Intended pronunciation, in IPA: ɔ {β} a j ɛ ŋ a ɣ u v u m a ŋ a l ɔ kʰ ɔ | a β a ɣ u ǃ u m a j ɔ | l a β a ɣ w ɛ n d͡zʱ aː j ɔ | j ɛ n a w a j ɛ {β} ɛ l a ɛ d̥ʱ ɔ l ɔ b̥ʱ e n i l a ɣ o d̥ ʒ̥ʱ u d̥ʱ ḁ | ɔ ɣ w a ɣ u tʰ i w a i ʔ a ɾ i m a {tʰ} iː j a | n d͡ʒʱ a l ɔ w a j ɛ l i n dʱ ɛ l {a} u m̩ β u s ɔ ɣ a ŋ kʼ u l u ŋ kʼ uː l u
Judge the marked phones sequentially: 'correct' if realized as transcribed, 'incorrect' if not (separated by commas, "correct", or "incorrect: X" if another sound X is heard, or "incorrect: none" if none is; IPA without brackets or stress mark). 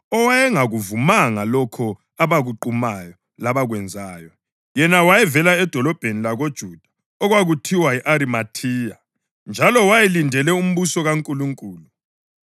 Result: incorrect: w, incorrect: v, correct, incorrect: ɛ